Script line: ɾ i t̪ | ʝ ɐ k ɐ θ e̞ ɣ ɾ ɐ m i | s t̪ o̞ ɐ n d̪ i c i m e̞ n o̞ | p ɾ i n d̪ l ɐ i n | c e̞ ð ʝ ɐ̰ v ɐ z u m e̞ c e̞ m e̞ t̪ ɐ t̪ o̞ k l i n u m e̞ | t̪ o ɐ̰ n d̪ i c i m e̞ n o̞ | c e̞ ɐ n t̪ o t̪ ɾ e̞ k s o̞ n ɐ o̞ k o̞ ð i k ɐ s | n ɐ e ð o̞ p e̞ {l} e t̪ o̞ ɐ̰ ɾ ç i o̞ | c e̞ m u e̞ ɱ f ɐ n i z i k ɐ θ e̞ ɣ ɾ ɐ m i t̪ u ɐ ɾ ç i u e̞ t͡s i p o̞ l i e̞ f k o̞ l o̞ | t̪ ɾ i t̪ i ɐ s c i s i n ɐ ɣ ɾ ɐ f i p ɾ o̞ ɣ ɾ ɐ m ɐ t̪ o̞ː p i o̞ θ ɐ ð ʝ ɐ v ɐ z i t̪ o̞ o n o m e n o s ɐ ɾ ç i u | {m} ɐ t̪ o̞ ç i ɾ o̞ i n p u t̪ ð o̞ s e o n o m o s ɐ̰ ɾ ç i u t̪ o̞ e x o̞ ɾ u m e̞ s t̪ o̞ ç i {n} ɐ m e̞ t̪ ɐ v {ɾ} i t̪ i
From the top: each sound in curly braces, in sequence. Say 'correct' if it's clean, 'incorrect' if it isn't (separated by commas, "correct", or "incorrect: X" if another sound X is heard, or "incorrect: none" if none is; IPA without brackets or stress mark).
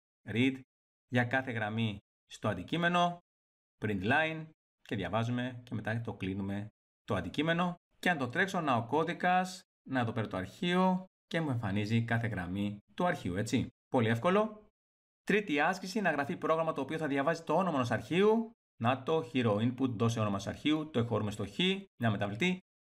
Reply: incorrect: ɾ, incorrect: n, incorrect: ɲ, incorrect: l